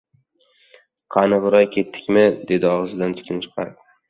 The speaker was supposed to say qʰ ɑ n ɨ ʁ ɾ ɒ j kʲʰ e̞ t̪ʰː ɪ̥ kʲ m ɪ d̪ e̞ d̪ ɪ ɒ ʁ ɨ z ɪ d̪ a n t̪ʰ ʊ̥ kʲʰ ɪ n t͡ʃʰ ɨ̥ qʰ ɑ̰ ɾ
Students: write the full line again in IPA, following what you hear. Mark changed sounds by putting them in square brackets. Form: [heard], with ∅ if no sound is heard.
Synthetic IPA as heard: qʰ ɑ n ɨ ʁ ɾ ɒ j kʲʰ e̞ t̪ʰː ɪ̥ kʲ m ɪ d̪ e̞ d̪ ɪ ɒ ʁ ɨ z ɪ d̪ a n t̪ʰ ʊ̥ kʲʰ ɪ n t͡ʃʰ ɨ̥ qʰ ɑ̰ ɾ